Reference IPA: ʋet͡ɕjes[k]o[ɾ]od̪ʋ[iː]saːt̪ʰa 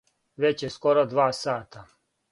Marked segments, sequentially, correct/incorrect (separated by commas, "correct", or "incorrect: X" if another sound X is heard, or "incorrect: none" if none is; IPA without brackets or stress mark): correct, correct, incorrect: aː